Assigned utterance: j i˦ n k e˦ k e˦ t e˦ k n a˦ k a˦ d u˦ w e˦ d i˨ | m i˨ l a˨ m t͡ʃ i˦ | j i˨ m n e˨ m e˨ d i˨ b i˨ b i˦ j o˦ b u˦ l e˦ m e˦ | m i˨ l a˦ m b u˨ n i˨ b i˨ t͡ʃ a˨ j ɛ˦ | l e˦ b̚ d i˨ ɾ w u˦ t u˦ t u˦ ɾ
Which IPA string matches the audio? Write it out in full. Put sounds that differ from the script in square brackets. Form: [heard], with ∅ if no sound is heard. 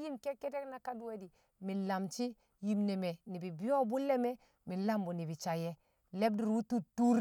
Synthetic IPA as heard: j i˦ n k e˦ k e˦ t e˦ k n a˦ k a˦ d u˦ w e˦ d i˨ | m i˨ l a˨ m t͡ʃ i˦ | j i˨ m n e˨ m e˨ [n] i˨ b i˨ b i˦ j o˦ b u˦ l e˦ m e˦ | m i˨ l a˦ m b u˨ n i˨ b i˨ t͡ʃ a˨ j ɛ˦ | l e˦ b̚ d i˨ ɾ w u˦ t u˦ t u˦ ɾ

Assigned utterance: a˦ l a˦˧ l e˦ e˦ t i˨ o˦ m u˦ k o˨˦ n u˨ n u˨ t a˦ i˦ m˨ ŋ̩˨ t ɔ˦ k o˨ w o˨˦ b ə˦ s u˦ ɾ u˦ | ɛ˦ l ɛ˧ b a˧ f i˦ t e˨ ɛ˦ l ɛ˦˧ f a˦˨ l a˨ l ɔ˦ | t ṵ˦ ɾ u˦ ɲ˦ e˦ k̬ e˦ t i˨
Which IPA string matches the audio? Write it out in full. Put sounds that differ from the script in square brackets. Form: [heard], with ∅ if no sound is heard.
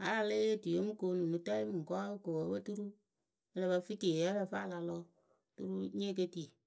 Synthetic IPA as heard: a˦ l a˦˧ l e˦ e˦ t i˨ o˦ m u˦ k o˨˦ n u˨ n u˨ t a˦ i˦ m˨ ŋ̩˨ [k] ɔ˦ k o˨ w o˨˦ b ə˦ [t] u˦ ɾ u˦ | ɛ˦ l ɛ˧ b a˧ f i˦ t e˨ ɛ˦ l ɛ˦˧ f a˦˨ l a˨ l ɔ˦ | t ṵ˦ ɾ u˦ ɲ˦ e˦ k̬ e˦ t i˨

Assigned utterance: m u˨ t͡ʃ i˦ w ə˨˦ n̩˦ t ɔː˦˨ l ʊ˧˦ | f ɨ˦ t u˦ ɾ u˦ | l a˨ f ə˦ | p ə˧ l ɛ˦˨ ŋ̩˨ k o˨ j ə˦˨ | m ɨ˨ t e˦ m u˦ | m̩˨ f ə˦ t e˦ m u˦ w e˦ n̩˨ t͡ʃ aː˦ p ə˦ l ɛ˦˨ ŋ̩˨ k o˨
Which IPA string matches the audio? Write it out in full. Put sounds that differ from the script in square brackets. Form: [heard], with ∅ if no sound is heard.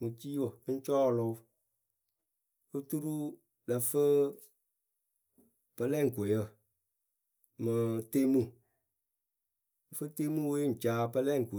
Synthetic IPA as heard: m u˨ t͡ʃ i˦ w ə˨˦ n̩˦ [t͡ʃ] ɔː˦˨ l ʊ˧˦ | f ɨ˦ t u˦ ɾ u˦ | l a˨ f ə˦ | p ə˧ l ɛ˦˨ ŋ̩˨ k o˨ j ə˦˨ | m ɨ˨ t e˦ m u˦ | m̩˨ f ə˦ t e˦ m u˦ w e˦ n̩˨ t͡ʃ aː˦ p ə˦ l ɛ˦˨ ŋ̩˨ k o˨

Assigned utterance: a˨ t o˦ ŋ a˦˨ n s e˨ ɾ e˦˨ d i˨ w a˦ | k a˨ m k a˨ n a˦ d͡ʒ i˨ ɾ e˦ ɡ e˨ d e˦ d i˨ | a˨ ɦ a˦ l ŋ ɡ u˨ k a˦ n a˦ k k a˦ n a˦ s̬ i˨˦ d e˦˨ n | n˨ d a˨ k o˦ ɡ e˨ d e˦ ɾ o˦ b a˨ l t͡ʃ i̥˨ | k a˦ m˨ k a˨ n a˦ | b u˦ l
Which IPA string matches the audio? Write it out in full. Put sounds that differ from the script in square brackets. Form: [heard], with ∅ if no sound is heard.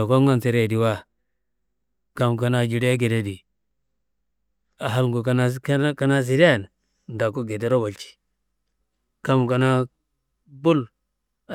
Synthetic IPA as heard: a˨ [k] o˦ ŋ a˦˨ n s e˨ ɾ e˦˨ d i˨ w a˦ | k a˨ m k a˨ n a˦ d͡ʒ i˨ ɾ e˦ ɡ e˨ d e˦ d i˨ | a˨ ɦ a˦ l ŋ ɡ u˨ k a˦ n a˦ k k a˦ n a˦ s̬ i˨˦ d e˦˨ n | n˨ d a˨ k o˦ ɡ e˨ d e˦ ɾ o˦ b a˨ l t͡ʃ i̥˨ | k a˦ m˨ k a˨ n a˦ | b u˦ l

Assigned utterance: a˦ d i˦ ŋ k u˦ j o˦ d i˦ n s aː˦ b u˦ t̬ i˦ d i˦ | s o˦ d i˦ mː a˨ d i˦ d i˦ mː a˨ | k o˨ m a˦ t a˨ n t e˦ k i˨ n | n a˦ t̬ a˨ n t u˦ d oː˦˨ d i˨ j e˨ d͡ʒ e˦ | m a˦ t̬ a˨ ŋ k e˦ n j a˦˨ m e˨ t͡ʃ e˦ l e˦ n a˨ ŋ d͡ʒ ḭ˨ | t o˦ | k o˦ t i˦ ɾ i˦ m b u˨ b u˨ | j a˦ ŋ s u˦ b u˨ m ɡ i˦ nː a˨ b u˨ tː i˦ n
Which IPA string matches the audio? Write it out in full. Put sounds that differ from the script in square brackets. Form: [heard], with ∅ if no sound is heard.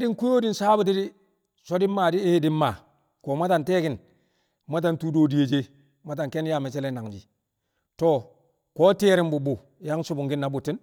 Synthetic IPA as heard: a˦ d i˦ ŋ k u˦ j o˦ d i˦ n s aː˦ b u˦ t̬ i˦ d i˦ | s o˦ d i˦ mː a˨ d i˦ d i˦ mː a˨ | k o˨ m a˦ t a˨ n t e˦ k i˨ n | [m] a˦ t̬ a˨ n t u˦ d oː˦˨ d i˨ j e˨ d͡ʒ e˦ | m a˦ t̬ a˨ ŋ k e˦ n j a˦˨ m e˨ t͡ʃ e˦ l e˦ n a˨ ŋ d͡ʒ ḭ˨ | t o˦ | k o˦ t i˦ ɾ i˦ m b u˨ b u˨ | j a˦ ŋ s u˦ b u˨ [ŋ] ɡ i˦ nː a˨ b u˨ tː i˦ n

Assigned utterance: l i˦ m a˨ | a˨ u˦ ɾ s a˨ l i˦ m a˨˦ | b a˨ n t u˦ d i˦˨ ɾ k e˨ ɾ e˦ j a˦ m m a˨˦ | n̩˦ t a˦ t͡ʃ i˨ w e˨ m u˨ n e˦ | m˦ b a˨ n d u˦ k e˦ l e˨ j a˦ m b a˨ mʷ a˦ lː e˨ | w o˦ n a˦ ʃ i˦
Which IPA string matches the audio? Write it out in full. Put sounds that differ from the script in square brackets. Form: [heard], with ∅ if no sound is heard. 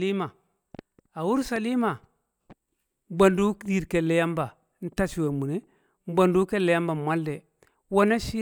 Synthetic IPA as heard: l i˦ m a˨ | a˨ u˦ ɾ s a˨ l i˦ m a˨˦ | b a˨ n [d] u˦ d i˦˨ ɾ k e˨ [l] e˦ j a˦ m [b] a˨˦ | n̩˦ t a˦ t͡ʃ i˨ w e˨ m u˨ n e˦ | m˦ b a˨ n d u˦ k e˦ l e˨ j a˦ m b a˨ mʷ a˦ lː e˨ | w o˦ n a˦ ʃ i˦

